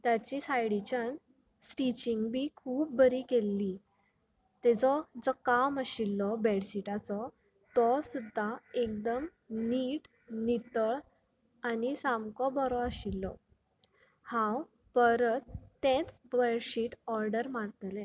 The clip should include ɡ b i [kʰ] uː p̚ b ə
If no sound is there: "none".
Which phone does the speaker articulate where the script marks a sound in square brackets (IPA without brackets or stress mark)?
kʰ